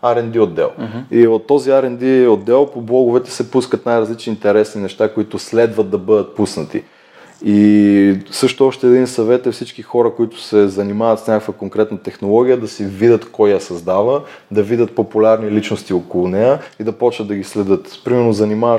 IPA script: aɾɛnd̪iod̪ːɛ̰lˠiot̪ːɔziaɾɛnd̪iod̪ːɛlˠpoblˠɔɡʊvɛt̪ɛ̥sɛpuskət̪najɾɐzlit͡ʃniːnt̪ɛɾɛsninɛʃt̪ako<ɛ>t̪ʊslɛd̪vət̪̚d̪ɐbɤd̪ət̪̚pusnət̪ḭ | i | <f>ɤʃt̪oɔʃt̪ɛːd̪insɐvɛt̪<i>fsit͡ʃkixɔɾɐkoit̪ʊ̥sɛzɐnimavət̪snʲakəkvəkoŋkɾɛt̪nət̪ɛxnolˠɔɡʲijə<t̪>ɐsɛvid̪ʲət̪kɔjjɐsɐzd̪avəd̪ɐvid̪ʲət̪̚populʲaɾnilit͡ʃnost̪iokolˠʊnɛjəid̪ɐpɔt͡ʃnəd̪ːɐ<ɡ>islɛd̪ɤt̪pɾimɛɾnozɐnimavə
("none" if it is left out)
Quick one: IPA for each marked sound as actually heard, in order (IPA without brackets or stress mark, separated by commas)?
i, s, ɛ, d̪, ɡ